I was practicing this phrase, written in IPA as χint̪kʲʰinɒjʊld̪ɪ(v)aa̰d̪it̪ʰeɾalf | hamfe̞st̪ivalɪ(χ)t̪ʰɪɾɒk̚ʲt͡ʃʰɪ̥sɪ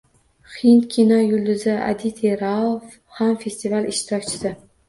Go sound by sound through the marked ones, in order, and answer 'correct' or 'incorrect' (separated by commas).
incorrect, incorrect